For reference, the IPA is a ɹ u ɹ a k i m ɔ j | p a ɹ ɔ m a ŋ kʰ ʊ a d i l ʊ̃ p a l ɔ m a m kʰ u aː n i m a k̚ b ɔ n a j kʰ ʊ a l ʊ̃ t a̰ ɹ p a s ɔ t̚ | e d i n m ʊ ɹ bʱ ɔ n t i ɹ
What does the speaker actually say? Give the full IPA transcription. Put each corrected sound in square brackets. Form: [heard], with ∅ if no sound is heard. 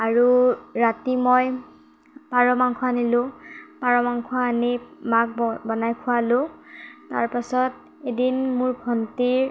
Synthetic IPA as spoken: a ɹ u ɹ a [t] i m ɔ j | p a ɹ ɔ m a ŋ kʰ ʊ a [n] i l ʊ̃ p a [ɹ] ɔ m a [ŋ] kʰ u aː n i m a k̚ b ɔ n a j kʰ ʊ a l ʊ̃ t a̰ ɹ p a s ɔ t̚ | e d i n m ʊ ɹ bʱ ɔ n t i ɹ